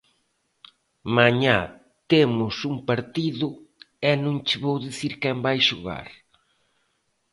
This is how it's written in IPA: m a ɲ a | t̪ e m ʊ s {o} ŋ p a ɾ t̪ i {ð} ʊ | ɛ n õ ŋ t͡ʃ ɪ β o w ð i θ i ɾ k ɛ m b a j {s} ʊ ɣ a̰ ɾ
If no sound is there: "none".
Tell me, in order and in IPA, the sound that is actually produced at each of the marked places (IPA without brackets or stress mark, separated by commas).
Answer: u, ð, ʃ